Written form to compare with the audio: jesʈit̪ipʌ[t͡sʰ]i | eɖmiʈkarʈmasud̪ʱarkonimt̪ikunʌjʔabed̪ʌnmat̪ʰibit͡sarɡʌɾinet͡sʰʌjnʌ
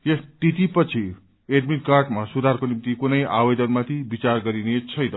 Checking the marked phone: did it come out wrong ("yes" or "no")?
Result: no